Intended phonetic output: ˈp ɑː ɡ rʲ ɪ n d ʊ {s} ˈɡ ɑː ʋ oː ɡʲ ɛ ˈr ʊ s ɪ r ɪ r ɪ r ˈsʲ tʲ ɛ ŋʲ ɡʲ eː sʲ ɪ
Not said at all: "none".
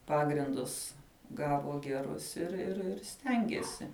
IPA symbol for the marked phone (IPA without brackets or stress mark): s